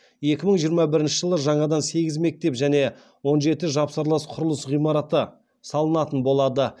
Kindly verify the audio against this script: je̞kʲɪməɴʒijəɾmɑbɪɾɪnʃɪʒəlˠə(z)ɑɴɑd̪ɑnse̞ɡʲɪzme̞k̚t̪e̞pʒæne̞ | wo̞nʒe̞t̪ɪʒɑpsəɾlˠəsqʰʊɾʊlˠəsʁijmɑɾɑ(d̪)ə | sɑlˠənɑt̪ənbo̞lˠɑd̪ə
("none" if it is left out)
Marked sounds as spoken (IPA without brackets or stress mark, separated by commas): ʒ, t̪